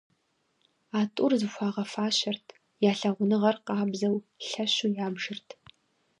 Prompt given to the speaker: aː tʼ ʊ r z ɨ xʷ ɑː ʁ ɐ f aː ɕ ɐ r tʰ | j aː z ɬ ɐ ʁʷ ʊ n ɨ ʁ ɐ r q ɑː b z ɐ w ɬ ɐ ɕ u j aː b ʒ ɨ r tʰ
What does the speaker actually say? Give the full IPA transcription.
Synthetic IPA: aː tʼ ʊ r z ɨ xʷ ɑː ʁ ɐ f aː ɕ ɐ r tʰ | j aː ɬ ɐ ʁʷ ʊ n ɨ ʁ ɐ r q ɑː b z ɐ w ɬ ɐ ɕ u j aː b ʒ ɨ r tʰ